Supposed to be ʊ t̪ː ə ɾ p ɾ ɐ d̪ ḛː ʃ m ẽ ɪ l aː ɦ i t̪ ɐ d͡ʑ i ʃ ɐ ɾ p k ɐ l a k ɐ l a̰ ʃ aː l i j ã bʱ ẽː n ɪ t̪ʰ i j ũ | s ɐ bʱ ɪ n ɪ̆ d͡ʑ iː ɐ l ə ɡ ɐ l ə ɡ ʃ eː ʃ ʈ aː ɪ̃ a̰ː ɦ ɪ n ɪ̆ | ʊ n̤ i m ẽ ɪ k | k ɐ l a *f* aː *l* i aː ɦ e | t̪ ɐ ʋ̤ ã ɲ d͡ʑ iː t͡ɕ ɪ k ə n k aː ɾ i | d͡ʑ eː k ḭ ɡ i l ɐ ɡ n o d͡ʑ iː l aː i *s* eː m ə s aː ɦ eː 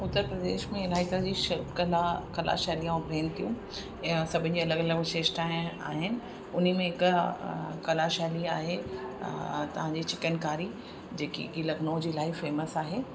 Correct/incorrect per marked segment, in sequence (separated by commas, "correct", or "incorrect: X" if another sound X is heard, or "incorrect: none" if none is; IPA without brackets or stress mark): incorrect: ʃ, correct, incorrect: f